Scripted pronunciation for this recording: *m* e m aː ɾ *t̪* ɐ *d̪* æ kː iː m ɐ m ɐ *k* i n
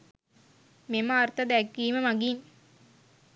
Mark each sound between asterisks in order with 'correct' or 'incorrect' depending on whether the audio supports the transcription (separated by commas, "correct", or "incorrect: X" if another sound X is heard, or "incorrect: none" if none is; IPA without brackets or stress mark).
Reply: correct, correct, correct, incorrect: ɡ